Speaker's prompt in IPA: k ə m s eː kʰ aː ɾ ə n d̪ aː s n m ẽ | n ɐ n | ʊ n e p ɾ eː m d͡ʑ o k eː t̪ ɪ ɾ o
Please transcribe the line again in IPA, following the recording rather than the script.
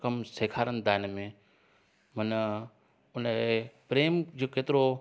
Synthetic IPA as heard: k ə m s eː kʰ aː ɾ ə n d̪ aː n m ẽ | m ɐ n | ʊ n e p ɾ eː m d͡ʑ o k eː t̪ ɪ ɾ o